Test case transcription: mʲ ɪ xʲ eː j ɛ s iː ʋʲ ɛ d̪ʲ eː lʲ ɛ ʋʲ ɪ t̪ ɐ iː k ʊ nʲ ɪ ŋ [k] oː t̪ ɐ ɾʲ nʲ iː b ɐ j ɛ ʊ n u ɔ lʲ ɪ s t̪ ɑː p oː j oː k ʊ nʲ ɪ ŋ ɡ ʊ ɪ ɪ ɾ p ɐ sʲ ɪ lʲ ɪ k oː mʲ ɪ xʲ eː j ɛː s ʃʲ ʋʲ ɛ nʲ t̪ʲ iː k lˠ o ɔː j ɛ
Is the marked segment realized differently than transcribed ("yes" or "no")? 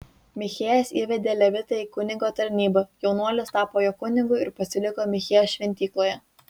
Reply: yes